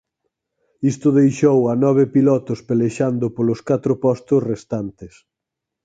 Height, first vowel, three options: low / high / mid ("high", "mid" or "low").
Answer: high